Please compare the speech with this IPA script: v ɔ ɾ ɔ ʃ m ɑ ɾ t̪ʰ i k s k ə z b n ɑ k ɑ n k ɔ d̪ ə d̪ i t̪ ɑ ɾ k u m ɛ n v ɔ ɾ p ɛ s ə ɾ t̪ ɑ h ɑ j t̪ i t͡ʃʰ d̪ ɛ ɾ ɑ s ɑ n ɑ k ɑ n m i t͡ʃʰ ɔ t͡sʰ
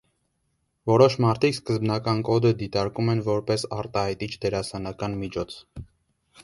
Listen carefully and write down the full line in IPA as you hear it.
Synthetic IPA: v ɔ ɾ ɔ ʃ m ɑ ɾ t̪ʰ i k s k ə z b n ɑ k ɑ n k ɔ d̪ ə d̪ i t̪ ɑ ɾ k u m ɛ n v ɔ ɾ p ɛ s ɑ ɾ t̪ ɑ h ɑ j t̪ i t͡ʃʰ d̪ ɛ ɾ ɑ s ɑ n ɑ k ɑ n m i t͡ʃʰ ɔ t͡sʰ